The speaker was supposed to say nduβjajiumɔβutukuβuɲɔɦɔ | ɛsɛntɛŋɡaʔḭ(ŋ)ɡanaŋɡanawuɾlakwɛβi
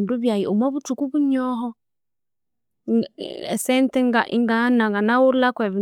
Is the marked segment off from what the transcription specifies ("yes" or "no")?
no